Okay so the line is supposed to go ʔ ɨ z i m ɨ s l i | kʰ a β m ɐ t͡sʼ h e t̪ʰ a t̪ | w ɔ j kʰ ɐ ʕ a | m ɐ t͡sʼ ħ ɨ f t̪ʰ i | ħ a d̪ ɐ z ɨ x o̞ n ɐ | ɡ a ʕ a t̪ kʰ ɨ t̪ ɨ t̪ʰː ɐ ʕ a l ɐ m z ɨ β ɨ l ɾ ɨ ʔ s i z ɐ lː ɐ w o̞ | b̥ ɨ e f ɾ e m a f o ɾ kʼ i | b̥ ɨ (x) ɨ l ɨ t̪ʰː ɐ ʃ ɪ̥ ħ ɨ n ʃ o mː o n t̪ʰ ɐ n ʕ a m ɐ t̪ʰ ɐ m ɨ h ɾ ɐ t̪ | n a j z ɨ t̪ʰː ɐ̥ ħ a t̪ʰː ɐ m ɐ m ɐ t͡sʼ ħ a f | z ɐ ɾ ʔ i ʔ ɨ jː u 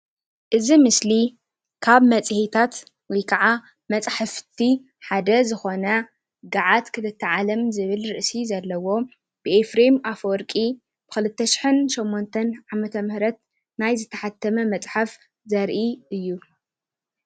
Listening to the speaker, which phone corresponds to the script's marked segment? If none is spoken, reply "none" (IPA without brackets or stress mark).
x